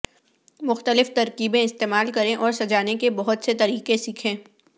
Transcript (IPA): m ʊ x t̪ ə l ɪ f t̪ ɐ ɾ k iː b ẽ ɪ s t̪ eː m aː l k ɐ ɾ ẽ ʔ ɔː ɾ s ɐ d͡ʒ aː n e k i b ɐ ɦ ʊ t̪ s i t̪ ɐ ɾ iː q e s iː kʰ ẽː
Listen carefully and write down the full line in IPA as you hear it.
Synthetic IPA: m ʊ x t̪ ə l ɪ f t̪ ɐ ɾ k iː b ẽ ɪ s t̪ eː m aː l k ɐ ɾ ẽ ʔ ɔː ɾ s ɐ d͡ʒ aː n e k e b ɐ ɦ ʊ t̪ s e t̪ ɐ ɾ iː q e s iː kʰ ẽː